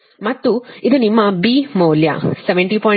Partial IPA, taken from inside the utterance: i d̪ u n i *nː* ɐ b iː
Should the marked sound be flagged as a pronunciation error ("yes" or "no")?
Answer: yes